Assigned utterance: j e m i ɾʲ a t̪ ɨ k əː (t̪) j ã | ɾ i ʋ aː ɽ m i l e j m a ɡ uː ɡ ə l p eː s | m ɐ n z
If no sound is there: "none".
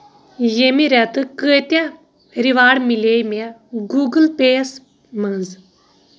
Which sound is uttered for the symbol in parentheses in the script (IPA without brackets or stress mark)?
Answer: t̪